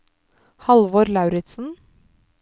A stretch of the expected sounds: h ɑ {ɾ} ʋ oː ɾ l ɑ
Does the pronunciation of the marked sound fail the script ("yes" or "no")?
yes